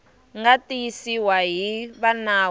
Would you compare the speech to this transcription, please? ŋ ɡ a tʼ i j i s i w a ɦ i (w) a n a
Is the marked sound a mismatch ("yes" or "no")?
yes